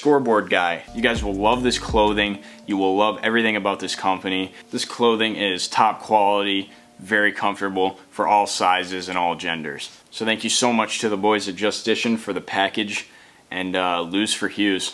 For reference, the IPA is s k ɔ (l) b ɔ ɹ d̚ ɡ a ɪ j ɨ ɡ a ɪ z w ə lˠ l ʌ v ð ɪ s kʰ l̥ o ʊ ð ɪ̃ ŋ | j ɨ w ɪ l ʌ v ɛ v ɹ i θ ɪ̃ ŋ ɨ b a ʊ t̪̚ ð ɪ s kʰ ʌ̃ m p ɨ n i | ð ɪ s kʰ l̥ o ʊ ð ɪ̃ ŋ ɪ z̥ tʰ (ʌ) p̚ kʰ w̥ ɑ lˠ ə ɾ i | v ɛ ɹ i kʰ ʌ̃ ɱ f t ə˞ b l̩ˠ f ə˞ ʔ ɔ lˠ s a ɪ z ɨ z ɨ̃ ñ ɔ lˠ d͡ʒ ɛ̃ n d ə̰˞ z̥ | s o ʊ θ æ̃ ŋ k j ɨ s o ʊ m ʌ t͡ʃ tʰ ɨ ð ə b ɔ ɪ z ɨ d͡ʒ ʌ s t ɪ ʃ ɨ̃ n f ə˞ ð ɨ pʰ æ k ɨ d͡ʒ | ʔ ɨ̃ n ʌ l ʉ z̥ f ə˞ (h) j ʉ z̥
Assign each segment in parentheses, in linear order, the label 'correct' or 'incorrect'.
incorrect: ɹ, incorrect: ɑ, correct

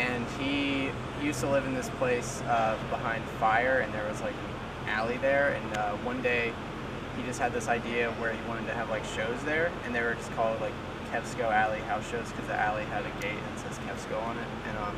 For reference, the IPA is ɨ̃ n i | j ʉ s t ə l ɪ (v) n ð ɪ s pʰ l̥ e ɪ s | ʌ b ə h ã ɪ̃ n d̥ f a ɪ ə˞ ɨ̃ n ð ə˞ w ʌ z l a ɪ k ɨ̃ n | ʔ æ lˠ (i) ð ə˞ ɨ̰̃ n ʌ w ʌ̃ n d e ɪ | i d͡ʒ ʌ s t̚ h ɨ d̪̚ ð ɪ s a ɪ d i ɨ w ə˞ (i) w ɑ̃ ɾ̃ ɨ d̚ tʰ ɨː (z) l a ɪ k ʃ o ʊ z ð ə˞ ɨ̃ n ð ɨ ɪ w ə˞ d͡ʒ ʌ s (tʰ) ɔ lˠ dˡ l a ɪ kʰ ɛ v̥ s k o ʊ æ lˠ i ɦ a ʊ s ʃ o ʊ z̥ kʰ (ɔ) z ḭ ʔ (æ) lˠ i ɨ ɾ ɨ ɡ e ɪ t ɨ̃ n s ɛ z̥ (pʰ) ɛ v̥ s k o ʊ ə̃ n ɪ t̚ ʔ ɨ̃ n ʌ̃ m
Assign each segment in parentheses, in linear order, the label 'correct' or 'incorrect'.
correct, correct, correct, incorrect: v, incorrect: kʰ, incorrect: ʌ, correct, incorrect: kʰ

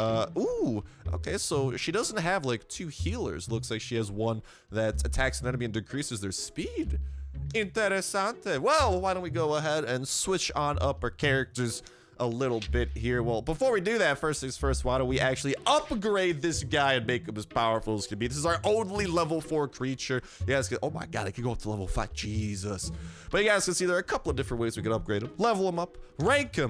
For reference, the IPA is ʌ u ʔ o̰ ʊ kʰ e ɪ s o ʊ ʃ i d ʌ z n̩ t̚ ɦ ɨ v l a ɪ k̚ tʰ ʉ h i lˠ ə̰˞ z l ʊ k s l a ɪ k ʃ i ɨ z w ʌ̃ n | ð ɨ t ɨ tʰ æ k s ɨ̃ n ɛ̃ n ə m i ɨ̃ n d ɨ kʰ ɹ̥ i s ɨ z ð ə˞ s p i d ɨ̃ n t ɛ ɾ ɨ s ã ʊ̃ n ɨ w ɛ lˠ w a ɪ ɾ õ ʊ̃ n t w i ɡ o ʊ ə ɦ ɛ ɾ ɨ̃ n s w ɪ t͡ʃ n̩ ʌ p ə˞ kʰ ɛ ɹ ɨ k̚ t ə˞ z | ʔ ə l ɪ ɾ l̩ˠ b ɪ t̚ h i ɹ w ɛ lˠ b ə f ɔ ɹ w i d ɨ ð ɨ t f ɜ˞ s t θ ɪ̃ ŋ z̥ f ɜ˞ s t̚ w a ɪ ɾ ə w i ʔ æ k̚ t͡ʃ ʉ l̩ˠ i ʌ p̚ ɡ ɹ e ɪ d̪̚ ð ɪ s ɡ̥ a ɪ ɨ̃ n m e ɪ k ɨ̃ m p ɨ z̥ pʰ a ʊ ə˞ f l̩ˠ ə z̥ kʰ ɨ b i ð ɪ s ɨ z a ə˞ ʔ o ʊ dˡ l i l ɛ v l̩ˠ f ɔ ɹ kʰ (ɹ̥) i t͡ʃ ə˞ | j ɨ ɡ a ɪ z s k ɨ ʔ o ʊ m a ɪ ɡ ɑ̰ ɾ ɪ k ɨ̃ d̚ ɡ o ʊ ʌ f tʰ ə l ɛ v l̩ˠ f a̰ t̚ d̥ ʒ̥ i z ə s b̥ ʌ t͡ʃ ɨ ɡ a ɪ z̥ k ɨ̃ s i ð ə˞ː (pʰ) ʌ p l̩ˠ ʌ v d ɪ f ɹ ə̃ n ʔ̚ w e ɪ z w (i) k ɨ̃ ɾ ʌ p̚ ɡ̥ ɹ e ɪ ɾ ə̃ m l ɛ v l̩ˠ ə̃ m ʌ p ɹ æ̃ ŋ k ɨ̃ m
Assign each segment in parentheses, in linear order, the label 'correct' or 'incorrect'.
correct, incorrect: kʰ, correct

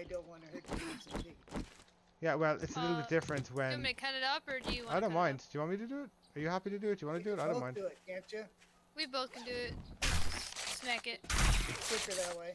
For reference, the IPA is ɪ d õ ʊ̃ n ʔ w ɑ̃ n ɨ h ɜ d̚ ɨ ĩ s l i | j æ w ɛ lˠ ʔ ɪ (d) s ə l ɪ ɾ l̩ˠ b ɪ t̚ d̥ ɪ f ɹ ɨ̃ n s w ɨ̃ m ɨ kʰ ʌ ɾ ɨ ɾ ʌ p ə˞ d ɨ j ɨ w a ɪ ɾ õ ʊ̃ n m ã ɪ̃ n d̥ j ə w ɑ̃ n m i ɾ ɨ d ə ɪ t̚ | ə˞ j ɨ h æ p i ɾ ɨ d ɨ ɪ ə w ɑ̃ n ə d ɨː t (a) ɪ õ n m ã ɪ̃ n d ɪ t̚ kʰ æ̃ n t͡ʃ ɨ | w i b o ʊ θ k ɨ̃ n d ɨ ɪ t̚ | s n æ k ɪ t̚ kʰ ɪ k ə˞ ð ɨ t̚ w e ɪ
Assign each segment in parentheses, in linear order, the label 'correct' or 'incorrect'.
incorrect: t, correct

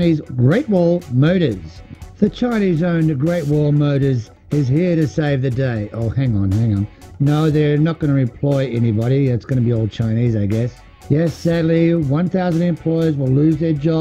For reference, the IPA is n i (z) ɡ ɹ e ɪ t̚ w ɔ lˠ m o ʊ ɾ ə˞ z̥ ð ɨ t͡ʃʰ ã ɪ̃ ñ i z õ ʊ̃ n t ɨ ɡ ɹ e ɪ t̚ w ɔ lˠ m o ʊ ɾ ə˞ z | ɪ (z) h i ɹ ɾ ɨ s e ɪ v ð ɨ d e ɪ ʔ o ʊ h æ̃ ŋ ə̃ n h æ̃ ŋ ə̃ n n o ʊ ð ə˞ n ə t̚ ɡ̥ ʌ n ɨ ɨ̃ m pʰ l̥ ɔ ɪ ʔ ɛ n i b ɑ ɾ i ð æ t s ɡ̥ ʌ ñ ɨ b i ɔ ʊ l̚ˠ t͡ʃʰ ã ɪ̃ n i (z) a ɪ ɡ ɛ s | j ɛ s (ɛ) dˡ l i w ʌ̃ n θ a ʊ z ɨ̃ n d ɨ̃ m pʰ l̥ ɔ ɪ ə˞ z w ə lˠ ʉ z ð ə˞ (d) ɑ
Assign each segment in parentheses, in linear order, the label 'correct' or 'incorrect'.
correct, correct, correct, incorrect: æ, incorrect: d͡ʒ

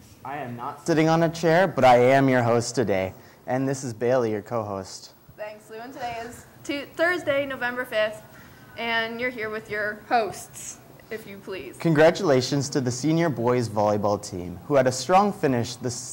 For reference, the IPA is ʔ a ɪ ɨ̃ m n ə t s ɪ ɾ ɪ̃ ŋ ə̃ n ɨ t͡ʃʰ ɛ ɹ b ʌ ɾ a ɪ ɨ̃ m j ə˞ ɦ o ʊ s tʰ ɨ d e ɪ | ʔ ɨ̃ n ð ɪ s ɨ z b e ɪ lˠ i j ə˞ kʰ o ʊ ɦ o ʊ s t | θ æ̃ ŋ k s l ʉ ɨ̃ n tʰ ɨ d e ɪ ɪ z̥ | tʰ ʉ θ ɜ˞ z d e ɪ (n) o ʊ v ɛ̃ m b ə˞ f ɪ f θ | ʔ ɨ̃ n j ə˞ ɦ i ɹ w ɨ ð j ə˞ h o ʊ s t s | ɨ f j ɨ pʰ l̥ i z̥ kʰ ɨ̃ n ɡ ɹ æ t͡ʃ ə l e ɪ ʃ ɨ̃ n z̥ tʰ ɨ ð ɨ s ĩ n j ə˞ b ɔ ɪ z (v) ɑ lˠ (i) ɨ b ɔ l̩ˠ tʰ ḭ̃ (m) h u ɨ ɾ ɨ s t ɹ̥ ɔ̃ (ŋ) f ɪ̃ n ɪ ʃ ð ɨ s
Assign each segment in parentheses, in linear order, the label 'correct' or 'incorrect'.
correct, correct, incorrect: j, correct, correct

